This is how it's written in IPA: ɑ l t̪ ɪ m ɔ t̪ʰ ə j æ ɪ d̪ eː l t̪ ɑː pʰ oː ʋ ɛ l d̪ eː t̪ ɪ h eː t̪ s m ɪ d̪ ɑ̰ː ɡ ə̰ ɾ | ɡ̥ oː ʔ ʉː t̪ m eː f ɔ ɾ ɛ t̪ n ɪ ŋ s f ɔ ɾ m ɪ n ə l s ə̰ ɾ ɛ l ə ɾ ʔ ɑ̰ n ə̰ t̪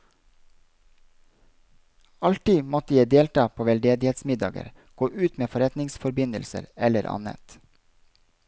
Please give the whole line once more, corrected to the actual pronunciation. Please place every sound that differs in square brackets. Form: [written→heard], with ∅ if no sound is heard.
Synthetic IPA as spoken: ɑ l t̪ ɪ m ɔ [t̪ʰ→t̪] ə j æ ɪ d̪ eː l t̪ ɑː pʰ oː ʋ ɛ l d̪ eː [t̪→d̪] ɪ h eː t̪ s m ɪ d̪ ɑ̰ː ɡ ə̰ ɾ | ɡ̥ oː ʔ ʉː t̪ m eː f ɔ ɾ ɛ t̪ n ɪ ŋ s f ɔ ɾ [m→b] ɪ n ə l s ə̰ ɾ ɛ l ə ɾ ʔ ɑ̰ n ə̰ t̪